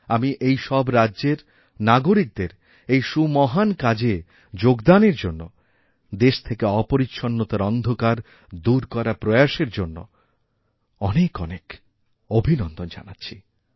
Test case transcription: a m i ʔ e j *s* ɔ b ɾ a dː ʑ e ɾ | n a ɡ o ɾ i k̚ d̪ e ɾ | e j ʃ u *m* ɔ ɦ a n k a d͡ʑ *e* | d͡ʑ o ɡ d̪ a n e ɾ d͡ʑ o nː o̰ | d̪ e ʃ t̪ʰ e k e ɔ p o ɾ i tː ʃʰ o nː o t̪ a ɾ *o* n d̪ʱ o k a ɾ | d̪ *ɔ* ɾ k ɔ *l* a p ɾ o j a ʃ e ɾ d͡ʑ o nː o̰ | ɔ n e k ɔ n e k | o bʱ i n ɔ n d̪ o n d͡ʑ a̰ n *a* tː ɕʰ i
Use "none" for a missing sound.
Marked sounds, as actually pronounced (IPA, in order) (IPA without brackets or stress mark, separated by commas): ʃ, m, e, ɔ, u, ɾ, a